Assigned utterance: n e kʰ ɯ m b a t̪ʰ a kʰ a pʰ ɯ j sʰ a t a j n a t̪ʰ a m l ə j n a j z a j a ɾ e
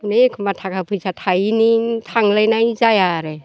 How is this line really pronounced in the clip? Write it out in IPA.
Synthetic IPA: n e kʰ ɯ m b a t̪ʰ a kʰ a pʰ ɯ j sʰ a tʰ a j n i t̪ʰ a ŋ l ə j n a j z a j a ɾ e